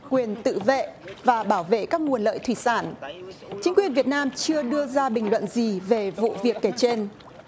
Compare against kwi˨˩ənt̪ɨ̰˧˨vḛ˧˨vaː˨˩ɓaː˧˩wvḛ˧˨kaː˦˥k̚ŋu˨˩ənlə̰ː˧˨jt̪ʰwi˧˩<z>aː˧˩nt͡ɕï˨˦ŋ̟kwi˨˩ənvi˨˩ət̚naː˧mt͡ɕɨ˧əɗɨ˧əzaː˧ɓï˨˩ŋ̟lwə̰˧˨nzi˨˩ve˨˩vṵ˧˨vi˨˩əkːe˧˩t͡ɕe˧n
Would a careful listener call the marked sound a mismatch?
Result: yes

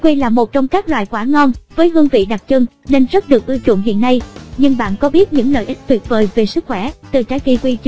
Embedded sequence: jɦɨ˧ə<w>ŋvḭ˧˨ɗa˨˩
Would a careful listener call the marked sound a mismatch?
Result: yes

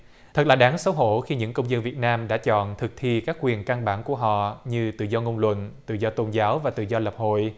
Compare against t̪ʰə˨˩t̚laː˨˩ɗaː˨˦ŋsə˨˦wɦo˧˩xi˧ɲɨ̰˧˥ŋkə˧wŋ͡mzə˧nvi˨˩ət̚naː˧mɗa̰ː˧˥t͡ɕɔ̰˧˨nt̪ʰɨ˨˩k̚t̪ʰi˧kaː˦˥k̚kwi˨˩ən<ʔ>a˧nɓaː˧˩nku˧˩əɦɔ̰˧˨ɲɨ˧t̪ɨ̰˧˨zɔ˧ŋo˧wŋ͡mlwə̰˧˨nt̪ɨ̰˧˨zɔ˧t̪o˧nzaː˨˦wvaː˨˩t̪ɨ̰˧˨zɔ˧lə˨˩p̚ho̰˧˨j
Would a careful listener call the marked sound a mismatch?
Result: yes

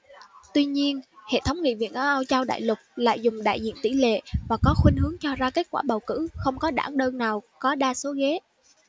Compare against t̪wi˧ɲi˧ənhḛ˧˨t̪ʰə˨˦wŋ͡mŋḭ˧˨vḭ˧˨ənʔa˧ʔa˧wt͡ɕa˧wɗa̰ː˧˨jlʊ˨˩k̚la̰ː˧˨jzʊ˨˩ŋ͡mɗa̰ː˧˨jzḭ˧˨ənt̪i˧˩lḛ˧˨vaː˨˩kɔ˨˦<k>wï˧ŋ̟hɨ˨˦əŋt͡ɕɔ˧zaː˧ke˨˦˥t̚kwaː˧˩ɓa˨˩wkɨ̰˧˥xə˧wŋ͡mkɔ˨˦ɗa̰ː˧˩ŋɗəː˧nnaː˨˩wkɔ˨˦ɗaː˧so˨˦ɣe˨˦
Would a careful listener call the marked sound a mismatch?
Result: yes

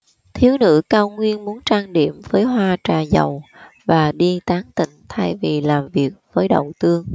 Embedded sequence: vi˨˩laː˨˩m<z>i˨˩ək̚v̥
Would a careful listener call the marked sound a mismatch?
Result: yes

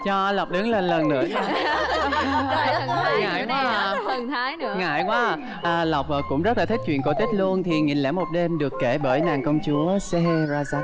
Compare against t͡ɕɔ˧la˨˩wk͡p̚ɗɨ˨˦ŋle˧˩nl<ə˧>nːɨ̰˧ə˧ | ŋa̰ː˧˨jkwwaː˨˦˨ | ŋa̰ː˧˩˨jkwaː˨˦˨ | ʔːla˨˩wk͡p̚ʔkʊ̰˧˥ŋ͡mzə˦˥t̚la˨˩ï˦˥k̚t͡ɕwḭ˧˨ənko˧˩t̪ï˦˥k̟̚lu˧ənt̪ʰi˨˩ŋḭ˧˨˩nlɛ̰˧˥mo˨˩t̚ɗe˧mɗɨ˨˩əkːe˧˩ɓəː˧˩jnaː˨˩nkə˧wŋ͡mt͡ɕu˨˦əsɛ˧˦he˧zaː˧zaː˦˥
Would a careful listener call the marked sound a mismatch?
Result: yes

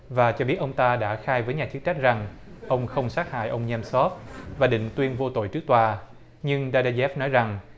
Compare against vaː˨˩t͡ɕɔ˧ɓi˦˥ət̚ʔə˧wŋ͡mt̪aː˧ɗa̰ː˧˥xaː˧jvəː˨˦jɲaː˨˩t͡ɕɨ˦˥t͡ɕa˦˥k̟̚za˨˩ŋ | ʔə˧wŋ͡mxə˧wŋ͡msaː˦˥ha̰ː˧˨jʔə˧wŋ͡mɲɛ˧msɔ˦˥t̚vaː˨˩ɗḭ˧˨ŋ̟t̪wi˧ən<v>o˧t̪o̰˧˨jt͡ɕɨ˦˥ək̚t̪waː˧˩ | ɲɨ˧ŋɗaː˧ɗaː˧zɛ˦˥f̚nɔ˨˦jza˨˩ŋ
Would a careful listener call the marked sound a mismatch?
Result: no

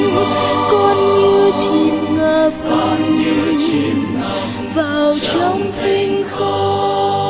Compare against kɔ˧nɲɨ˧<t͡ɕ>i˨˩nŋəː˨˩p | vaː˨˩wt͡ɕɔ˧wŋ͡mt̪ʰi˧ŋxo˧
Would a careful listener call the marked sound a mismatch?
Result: no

